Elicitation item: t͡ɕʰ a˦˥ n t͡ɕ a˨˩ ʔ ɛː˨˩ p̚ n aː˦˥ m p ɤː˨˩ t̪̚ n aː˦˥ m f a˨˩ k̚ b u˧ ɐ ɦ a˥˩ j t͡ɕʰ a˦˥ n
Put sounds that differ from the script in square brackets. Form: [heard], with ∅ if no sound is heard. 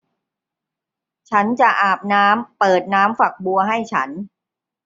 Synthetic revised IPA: t͡ɕʰ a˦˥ n t͡ɕ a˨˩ ʔ [aː˨˩] p̚ n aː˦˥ m p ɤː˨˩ t̪̚ n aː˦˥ m f a˨˩ k̚ b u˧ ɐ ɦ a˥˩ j t͡ɕʰ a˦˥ n